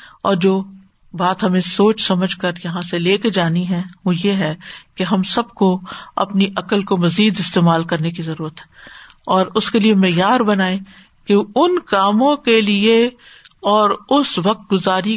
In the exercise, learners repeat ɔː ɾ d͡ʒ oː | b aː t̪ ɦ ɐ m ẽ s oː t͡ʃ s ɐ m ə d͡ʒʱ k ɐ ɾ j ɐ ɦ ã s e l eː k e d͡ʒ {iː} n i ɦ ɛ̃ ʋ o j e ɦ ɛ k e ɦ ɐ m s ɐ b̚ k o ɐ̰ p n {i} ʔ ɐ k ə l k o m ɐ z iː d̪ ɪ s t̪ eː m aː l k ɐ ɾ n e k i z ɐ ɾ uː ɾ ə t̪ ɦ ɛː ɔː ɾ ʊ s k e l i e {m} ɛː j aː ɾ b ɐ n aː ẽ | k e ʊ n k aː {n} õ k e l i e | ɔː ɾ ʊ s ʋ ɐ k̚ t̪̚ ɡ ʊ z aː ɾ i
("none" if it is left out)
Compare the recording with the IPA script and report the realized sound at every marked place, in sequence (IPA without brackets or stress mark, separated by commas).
aː, i, m, m